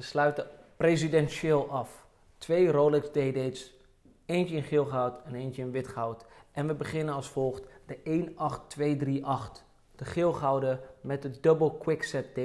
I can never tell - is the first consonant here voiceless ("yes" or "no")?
yes